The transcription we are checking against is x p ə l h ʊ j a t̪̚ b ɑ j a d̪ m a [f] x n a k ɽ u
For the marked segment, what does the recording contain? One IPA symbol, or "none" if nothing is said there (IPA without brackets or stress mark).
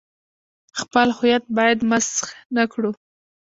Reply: s